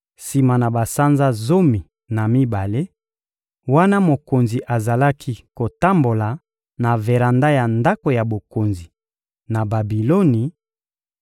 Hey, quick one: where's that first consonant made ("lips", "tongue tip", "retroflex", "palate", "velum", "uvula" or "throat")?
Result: tongue tip